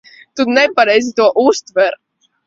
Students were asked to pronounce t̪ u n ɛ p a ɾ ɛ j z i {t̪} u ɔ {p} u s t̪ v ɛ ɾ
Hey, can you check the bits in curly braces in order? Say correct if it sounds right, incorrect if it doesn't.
correct, incorrect

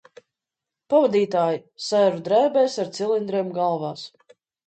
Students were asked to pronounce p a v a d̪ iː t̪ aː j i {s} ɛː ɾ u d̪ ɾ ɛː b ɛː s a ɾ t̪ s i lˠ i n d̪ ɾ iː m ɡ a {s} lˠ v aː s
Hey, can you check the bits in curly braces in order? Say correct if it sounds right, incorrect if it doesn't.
correct, incorrect

